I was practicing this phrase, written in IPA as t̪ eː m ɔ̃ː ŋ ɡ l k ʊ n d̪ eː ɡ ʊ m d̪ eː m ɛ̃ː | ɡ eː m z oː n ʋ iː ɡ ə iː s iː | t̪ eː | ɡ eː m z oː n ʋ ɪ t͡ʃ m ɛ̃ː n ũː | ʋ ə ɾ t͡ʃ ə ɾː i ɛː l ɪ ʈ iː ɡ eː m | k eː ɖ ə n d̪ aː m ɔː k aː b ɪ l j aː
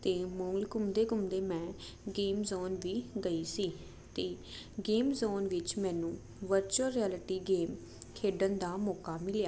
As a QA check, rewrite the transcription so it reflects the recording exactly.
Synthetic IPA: t̪ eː m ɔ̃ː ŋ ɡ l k ʊ m d̪ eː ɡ ʊ m d̪ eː m ɛ̃ː | ɡ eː m z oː n ʋ iː ɡ ə iː s iː | t̪ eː | ɡ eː m z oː n ʋ ɪ t͡ʃ m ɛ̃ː n ũː | ʋ ə ɾ t͡ʃ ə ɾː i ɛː l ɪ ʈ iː ɡ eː m | kʰ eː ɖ ə n d̪ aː m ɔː k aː m ɪ l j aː

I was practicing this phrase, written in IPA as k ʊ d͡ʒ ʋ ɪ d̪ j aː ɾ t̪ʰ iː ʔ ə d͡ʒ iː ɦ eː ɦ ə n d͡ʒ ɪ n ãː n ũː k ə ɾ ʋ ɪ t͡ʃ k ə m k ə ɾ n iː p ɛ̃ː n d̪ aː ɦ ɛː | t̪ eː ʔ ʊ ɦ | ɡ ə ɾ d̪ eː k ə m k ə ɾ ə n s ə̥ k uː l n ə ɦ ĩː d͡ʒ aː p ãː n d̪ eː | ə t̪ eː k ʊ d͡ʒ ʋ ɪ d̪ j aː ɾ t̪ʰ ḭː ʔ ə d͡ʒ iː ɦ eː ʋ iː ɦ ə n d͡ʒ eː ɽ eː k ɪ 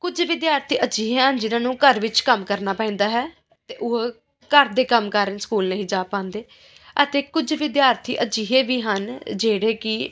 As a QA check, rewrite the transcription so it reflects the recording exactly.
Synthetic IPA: k ʊ d͡ʒ ʋ ɪ d̪ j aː ɾ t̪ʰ iː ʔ ə d͡ʒ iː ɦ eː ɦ ə n d͡ʒ ɪ n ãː n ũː k ə ɾ ʋ ɪ t͡ʃ k ə m k ə ɾ n aː p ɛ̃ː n d̪ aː ɦ ɛː | t̪ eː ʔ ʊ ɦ | k ə ɾ d̪ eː k ə m k ə ɾ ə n s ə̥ k uː l n ə ɦ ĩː d͡ʒ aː p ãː n d̪ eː | ə t̪ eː k ʊ d͡ʒ ʋ ɪ d̪ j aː ɾ t̪ʰ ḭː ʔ ə d͡ʒ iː ɦ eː ʋ iː ɦ ə n d͡ʒ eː ɽ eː k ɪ

